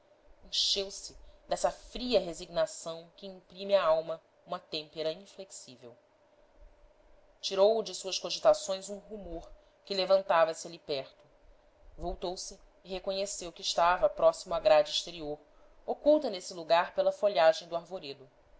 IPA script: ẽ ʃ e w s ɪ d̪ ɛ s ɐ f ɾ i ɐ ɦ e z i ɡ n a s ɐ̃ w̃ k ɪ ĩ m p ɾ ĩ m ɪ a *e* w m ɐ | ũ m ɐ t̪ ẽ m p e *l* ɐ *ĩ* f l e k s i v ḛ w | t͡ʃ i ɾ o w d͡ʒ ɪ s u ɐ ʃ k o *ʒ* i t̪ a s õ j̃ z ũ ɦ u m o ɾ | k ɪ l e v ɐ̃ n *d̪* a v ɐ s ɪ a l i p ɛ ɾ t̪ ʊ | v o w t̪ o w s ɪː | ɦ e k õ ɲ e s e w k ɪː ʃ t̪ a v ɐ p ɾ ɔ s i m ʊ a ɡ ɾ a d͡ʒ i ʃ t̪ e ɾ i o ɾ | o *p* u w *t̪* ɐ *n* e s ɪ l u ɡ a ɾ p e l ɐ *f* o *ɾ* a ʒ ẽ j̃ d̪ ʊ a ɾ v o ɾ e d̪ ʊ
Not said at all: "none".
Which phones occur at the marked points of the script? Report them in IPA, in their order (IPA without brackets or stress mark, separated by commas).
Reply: a, ɾ, ĩ, ʒ, t̪, k, t̪, n, f, ʎ